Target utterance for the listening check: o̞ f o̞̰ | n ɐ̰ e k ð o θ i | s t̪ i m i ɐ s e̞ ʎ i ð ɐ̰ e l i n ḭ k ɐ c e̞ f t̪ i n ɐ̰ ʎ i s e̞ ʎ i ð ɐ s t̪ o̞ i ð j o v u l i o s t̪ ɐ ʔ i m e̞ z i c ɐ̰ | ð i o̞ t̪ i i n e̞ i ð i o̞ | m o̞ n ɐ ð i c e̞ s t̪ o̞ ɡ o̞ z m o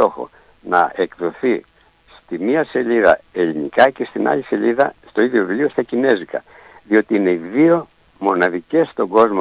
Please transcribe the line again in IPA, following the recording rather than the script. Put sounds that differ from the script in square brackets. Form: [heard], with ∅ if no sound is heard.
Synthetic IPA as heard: o̞ [x] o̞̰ | n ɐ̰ e k ð o θ i | s t̪ i m i ɐ s e̞ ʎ i ð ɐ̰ e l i n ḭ k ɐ c e̞ [s] t̪ i n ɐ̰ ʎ i s e̞ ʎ i ð ɐ s t̪ o̞ i ð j o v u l i o s t̪ ɐ [c] i [n] e̞ z i [k] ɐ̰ | ð i o̞ t̪ i i n e̞ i ð i o̞ | m o̞ n ɐ ð i c e̞ s t̪ o̞ ɡ o̞ z m o